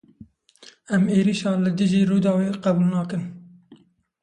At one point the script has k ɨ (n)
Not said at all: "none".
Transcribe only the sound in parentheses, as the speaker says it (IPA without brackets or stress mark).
n